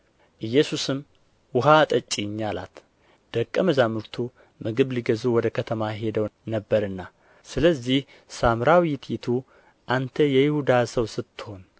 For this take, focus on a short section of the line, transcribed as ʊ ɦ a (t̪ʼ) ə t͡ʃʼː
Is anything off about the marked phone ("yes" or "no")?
no